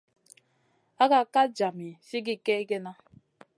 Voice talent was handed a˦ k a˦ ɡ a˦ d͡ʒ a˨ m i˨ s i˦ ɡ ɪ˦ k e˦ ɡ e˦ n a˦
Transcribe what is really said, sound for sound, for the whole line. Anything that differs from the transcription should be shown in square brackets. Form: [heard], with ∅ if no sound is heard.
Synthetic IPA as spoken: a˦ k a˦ [k] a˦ d͡ʒ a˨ m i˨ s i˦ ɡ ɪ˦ k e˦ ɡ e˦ n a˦